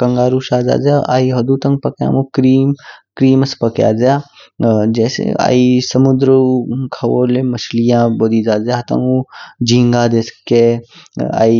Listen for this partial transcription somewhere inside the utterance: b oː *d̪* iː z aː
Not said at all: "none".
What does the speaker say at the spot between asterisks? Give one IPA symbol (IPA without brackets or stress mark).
d̪